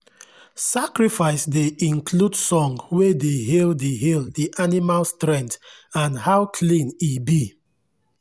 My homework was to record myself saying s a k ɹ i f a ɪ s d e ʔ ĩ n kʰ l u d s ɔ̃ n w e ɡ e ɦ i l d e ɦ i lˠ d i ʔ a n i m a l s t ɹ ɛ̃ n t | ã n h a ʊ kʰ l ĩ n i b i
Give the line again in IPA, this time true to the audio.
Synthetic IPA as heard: s a k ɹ i f a ɪ s d e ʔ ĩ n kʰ l u d s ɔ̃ ŋ w e d e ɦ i l d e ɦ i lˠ d i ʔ a n i m a l s t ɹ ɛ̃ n t | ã n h a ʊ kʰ l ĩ n i b i